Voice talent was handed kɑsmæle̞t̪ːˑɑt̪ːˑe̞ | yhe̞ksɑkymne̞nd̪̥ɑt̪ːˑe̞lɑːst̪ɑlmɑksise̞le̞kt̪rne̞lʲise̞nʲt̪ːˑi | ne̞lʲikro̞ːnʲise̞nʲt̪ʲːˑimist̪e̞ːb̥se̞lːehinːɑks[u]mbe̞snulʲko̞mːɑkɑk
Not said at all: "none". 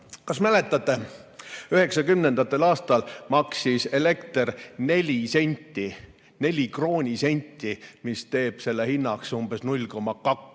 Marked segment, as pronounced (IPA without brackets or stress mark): u